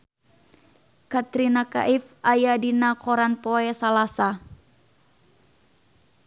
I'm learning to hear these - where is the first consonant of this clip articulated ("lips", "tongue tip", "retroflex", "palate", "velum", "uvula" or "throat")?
velum